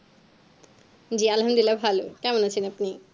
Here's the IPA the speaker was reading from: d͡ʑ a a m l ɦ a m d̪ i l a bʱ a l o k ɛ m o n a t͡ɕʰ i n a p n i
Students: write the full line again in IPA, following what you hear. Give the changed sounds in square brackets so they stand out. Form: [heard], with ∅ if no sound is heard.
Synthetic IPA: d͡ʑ [i] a [∅] l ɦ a m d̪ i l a bʱ a l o k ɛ m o n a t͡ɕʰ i n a p n i

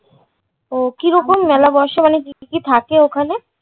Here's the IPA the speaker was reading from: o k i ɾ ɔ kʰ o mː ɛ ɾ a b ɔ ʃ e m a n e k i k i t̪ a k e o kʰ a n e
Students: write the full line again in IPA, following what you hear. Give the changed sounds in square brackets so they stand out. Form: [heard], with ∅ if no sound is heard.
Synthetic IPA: o k i ɾ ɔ [k] o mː ɛ [l] a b ɔ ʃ e m a n e k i k i [t̪ʰ] a k e o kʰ a n e

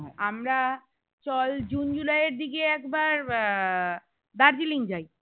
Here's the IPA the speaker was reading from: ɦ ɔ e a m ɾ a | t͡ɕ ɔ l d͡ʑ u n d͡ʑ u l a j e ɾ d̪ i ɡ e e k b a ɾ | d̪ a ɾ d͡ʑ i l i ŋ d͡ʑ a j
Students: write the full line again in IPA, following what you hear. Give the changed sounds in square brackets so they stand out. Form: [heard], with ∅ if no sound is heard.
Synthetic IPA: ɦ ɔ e a m ɾ a | t͡ɕ ɔ l d͡ʑ u n d͡ʑ u l a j e ɾ d̪ i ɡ e [ɛ] k b a ɾ | d̪ a ɾ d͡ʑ i l i ŋ d͡ʑ a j

